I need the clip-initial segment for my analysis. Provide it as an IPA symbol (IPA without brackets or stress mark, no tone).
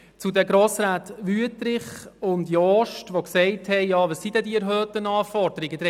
t͡s